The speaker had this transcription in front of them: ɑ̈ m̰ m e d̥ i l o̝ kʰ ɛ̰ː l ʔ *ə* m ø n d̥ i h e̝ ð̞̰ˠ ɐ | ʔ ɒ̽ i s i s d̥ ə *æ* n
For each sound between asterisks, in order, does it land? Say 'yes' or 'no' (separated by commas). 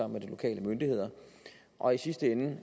yes, no